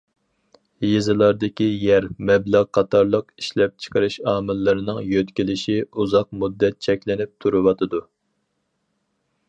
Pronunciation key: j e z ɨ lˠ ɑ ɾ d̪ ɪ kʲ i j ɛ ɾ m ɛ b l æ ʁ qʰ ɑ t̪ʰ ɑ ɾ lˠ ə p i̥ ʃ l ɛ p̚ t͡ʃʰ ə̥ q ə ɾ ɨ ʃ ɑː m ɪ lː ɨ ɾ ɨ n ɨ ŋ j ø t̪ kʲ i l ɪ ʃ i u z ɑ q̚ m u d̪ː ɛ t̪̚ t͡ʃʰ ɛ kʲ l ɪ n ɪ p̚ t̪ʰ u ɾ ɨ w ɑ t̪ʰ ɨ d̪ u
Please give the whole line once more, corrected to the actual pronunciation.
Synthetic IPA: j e z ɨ lˠ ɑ ɾ d̪ ɪ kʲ i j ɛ ɾ m ɛ b l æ ʁ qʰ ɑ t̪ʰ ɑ ɾ lˠ ə q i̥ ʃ l ɛ p̚ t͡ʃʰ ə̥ q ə ɾ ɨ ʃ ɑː m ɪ lː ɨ ɾ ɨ n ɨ ŋ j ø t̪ kʲ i l ɪ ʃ i u z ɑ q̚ m u d̪ː ɛ t̪̚ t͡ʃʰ ɛ kʲ l ɪ n ɪ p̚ t̪ʰ u ɾ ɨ w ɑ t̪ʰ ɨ d̪ u